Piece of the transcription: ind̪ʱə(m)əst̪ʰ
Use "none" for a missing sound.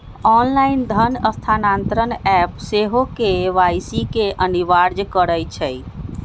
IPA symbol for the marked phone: n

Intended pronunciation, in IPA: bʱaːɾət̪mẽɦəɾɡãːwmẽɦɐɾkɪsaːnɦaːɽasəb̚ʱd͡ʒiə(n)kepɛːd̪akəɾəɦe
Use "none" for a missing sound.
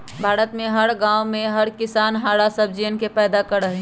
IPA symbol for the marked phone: n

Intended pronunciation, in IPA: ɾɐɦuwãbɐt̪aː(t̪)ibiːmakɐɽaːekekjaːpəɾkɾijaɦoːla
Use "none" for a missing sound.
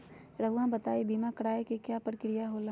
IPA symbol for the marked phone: none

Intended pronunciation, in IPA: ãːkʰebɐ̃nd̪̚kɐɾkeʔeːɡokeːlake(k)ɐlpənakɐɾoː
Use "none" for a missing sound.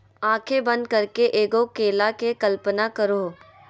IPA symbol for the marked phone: k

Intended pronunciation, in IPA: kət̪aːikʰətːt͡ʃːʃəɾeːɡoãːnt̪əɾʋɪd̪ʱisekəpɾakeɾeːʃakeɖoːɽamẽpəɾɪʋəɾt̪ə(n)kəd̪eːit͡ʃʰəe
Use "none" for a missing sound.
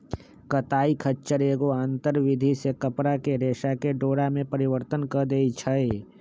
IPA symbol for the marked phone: n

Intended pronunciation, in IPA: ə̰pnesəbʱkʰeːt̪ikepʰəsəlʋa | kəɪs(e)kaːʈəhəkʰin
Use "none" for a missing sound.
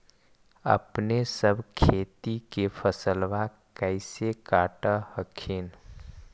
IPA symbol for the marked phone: e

